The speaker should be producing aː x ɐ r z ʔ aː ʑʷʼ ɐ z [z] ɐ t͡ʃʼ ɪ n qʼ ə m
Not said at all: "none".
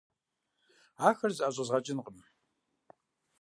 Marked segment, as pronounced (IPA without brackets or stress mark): ʁ